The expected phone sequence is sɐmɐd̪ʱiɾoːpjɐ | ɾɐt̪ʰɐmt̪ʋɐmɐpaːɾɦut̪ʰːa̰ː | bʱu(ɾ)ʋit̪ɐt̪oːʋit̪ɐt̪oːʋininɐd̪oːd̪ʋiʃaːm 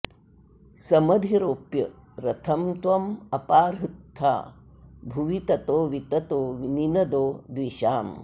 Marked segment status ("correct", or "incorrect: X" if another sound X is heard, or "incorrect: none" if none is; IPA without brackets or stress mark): incorrect: none